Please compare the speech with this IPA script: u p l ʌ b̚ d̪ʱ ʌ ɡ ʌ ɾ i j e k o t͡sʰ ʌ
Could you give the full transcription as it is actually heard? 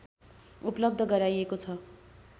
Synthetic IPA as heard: u p l ʌ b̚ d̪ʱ ʌ ɡ ʌ ɾ a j e k o t͡sʰ ʌ